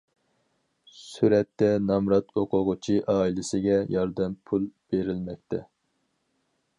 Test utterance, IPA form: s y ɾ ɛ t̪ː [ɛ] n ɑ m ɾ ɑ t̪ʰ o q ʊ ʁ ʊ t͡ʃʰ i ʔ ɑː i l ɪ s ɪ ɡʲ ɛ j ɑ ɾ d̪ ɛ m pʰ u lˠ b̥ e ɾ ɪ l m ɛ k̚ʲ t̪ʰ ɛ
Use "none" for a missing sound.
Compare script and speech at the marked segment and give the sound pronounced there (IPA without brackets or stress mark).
ɛ